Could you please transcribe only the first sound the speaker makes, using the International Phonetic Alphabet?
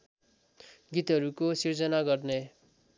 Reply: ɡ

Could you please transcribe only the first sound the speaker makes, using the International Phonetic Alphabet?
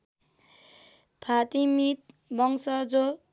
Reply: pʰ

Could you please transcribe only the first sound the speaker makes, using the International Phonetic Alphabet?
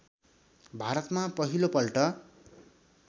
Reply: bʱ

